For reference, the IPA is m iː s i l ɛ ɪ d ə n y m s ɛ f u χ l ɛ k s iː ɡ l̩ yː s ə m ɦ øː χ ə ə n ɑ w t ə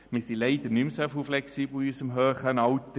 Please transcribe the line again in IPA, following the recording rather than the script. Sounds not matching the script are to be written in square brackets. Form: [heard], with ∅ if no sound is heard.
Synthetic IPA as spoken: m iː s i l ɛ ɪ d ə n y m s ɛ f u [f] l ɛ k s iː [b] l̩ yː s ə m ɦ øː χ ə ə n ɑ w t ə